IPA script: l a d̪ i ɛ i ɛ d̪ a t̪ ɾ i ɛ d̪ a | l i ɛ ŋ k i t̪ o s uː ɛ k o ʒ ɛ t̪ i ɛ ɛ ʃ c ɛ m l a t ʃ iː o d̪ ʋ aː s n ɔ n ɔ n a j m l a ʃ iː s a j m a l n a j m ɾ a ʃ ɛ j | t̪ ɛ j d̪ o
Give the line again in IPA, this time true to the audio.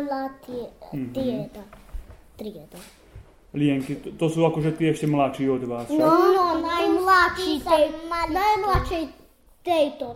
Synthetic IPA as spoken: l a t̪ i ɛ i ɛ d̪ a t̪ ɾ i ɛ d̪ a | l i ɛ ŋ k i t̪ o s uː a k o ʒ ɛ t̪ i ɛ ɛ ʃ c ɛ m l a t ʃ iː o d̪ ʋ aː s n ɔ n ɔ n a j m l a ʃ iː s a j m a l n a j m l a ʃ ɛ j | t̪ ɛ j t̪ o